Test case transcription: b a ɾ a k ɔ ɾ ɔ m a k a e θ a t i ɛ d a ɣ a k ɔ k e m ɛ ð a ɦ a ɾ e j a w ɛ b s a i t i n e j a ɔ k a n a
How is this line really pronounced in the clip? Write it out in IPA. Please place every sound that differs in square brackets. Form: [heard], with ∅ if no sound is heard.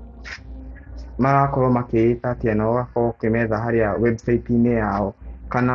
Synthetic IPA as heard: [m] a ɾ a k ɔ ɾ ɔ m a k [e] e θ a t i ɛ [n] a ɣ a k ɔ k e m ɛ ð a ɦ a ɾ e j a w ɛ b s a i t i n e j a ɔ k a n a